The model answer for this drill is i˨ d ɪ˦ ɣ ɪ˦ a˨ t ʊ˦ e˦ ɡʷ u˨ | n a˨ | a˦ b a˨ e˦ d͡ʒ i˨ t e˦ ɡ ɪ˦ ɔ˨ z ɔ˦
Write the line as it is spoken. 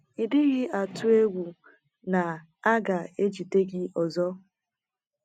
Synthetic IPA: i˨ d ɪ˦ ɣ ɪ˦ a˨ t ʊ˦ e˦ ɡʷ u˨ | n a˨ | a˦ ɡ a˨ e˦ d͡ʒ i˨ t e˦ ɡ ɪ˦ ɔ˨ z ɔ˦